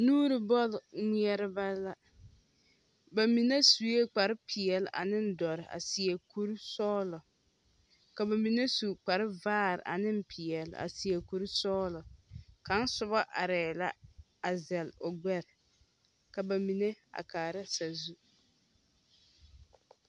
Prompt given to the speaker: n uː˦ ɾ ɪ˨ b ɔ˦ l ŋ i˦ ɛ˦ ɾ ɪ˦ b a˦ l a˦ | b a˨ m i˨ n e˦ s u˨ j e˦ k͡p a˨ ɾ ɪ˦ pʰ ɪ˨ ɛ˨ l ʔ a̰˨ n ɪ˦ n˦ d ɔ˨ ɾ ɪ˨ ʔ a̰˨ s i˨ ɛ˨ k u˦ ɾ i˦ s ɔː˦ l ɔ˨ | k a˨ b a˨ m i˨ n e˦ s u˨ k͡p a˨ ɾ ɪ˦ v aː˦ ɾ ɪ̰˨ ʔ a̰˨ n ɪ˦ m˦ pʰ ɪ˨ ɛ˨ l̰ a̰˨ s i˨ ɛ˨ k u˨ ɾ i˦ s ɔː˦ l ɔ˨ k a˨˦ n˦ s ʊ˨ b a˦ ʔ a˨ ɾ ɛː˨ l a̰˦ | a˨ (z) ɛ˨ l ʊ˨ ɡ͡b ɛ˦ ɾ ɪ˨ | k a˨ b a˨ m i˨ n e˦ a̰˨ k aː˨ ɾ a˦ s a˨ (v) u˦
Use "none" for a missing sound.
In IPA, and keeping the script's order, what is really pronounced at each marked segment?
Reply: z, z

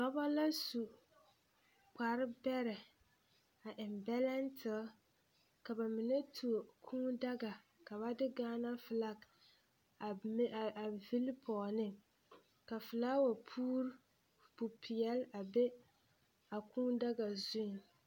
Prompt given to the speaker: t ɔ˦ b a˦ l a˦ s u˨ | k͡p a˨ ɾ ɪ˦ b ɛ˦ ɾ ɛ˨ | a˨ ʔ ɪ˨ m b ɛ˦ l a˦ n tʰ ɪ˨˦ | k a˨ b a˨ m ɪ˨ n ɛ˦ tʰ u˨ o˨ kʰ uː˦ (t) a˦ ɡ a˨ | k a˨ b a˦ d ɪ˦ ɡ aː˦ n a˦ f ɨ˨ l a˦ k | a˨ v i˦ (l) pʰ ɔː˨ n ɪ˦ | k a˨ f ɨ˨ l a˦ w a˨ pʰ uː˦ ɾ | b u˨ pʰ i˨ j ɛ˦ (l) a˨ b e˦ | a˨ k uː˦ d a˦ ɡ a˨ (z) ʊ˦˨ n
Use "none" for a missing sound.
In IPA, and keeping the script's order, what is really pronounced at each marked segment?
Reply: d, l, l, z

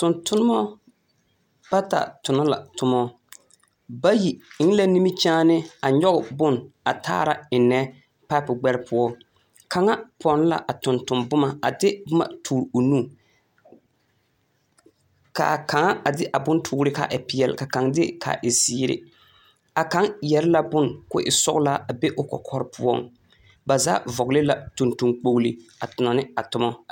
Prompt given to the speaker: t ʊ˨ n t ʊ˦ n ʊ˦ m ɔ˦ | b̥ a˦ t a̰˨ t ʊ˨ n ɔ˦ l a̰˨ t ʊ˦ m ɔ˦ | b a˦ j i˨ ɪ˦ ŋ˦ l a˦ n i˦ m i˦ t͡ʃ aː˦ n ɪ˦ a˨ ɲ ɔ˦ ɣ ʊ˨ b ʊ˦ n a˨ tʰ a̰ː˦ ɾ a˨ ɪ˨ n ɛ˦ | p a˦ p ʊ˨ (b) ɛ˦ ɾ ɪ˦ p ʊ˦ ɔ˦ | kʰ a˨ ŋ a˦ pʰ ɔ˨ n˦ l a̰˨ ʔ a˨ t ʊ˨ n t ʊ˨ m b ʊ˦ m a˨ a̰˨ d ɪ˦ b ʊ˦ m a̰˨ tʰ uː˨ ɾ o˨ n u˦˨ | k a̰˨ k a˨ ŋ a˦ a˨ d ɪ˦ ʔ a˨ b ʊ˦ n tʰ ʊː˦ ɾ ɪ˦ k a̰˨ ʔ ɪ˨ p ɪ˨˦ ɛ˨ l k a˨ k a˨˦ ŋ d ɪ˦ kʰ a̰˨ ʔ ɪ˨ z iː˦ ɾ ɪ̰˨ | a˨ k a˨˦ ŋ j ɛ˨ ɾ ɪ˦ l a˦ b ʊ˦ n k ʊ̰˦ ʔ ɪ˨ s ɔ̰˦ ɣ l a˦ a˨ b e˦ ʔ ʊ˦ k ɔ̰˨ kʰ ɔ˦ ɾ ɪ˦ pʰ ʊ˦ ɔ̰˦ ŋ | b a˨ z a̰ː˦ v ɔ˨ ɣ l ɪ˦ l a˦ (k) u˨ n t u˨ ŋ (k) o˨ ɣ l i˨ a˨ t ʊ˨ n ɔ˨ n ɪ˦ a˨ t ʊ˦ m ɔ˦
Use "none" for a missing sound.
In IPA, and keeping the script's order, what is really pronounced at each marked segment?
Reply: ɡ͡b, t, k͡p

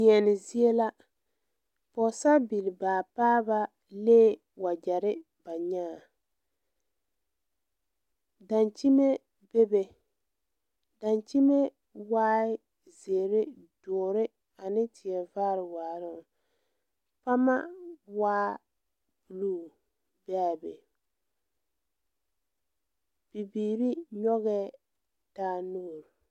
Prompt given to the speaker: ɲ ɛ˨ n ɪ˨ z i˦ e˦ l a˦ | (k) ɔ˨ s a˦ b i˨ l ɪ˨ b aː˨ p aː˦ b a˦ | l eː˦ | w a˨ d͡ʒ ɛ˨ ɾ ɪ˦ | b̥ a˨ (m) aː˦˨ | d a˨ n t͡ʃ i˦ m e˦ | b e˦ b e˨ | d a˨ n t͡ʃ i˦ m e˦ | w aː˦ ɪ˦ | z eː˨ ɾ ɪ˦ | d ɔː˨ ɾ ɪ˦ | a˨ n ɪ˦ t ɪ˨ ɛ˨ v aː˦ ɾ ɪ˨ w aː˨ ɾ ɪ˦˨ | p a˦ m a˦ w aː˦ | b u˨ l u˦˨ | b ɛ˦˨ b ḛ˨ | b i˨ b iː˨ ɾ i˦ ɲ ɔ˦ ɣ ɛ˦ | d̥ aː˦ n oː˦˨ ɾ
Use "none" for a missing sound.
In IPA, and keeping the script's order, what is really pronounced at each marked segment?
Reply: p, ɲ

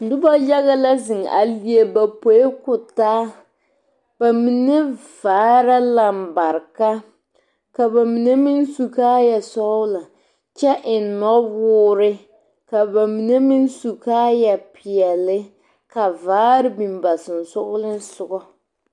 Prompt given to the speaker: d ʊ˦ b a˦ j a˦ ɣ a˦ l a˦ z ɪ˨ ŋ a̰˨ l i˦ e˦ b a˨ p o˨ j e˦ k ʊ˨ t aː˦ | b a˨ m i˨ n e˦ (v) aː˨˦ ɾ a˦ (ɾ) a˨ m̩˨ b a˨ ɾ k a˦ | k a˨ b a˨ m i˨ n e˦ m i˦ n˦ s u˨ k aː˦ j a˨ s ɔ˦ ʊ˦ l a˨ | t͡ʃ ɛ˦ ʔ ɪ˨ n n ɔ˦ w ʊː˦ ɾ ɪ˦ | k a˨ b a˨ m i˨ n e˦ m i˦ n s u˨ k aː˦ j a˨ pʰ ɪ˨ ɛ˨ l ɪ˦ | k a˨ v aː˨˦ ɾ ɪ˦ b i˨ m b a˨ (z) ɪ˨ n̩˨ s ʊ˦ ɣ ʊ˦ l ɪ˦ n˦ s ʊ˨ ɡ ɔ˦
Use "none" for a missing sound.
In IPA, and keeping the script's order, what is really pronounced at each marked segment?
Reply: v, l, s

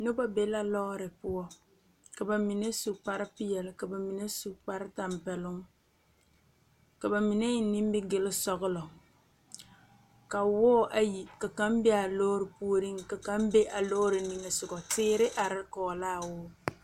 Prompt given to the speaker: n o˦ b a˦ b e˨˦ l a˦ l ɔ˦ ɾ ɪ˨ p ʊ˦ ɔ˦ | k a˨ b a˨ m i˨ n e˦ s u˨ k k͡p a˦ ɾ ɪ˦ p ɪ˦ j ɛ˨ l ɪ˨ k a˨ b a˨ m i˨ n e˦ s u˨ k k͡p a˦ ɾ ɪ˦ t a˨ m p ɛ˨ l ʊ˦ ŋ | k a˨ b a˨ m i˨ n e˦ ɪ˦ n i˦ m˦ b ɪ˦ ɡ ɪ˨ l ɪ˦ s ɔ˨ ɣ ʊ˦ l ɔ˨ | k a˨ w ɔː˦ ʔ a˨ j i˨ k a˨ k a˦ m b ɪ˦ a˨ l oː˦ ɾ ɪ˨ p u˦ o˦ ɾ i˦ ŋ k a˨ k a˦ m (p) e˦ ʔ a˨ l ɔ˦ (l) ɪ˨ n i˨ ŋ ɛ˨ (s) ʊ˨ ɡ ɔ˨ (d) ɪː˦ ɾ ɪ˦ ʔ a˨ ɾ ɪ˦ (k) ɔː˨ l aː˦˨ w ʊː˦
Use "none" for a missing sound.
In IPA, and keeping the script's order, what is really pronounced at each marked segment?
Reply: b, ɾ, s, t, k

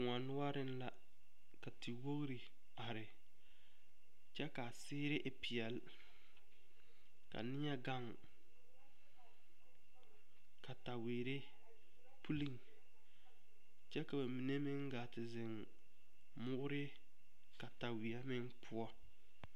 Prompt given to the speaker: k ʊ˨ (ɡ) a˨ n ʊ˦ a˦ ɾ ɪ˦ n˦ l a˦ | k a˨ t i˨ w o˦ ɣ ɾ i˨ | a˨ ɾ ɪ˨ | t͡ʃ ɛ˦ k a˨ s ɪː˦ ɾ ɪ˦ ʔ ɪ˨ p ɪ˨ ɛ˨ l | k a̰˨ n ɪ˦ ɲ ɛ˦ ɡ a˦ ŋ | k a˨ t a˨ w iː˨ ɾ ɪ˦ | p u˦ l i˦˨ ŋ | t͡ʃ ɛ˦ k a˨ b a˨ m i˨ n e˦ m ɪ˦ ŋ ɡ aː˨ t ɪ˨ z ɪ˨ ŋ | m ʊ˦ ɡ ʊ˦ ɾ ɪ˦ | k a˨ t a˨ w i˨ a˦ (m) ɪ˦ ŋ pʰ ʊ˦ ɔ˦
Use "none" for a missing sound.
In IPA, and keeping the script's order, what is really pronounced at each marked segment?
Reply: ŋ, m

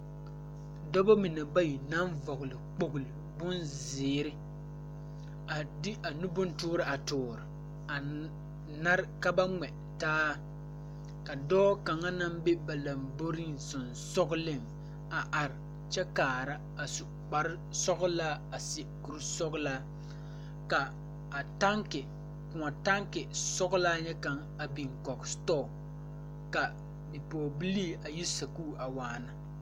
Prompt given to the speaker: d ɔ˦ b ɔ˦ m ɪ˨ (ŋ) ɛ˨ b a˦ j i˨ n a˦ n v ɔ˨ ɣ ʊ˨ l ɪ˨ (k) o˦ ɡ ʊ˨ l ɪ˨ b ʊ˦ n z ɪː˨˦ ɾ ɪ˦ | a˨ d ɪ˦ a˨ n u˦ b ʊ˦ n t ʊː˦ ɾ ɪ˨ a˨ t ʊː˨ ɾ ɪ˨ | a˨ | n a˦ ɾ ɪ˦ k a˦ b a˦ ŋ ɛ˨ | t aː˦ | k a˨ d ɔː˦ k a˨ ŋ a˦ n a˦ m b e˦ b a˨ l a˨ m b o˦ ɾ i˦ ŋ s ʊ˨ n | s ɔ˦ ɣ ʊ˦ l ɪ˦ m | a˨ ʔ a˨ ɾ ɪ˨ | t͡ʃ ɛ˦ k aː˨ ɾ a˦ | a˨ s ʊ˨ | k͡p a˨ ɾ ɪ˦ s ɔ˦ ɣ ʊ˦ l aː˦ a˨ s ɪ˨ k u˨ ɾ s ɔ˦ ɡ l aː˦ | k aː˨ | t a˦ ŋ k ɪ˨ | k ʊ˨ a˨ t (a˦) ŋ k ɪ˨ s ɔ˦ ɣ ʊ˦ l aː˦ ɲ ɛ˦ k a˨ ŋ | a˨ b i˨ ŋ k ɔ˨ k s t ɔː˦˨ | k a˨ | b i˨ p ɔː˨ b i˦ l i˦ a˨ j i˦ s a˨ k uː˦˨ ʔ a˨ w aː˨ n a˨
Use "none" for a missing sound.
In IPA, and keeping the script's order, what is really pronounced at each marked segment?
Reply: n, k͡p, a˦

